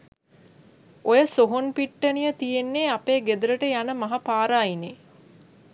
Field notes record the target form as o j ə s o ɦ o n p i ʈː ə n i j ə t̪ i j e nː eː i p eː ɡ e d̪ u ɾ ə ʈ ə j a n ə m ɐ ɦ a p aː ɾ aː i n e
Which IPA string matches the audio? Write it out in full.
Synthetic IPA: o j ə s o ɦ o n p i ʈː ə n i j ə t̪ i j e nː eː a p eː ɡ e d̪ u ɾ ə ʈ ə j a n ə m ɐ ɦ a p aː ɾ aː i n e